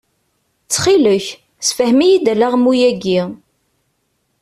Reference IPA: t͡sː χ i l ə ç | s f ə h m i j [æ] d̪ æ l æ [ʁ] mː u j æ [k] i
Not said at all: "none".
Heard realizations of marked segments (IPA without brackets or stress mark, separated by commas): i, ʁ, ɡ